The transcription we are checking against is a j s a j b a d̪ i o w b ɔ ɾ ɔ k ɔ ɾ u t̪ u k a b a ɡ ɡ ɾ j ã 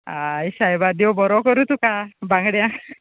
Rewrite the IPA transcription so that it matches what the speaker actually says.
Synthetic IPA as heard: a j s a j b a d̪ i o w b ɔ ɾ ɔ k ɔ ɾ u t̪ u k a b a ŋ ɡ ɽ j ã